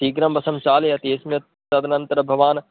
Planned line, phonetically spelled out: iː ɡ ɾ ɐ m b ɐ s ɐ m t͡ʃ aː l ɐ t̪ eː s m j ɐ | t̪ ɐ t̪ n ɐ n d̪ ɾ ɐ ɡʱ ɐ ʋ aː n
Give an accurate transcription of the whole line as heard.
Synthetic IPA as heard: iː ɡ ɾ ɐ m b ɐ s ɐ m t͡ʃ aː l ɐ t̪ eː s m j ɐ | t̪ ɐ d̪ n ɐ n t̪ ɾ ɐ bʱ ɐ ʋ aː n